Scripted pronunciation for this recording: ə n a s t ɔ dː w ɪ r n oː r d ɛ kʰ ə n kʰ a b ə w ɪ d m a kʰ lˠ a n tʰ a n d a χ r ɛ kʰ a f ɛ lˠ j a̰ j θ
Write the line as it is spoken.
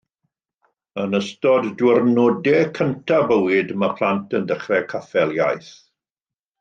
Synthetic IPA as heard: ə n ə s t ɔ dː w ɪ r n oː d ɛ kʰ ə n tʰ a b ə w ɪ d m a pʰ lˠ a n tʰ ə n d ə χ r ɛ kʰ a f ɛ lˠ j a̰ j θ